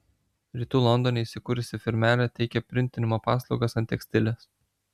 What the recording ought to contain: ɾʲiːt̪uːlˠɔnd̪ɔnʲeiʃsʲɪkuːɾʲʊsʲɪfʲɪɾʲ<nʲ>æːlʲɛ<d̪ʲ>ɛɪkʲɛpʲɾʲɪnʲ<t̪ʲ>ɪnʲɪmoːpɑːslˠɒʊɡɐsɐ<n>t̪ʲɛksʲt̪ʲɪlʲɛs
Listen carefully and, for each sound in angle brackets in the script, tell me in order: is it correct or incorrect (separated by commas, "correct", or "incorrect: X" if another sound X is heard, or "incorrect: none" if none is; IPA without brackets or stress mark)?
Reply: incorrect: mʲ, incorrect: t̪ʲ, correct, correct